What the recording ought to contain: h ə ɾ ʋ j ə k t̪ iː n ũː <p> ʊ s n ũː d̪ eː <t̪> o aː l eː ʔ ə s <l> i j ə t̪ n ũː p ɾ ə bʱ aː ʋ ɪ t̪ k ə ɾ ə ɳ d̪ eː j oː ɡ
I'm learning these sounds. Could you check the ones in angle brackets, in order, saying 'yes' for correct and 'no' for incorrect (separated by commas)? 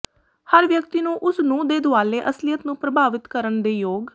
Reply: no, no, yes